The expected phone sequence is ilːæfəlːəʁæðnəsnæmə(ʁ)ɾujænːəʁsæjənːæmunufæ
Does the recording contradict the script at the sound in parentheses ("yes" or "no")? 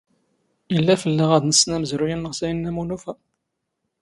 yes